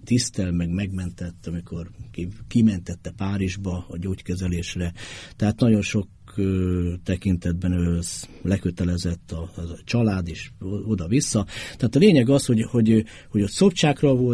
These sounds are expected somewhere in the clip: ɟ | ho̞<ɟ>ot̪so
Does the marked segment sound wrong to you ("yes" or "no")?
no